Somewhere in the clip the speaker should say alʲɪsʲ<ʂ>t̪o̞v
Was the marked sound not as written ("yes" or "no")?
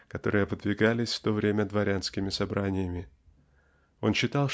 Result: yes